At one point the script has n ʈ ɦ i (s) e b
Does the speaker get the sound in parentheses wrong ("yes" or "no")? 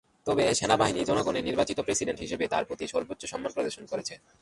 yes